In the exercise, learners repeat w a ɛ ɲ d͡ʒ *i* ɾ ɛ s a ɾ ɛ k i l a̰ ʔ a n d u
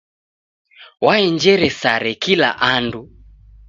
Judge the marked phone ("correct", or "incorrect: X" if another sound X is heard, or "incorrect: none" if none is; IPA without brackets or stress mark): incorrect: ɛ